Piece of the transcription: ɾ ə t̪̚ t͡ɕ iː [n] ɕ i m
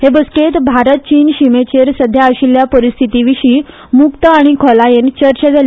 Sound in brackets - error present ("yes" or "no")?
no